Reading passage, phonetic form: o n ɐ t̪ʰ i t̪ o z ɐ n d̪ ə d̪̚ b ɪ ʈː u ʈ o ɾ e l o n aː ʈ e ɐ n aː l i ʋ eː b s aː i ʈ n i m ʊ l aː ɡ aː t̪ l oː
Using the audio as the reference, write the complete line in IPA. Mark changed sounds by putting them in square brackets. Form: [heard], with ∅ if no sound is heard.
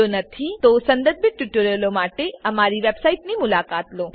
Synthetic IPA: o n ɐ t̪ʰ i t̪ o [s] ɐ n d̪ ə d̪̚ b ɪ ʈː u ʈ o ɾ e l o [m] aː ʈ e ɐ [m] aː [ɾ] i ʋ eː b s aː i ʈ n i m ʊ l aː [k] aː t̪ l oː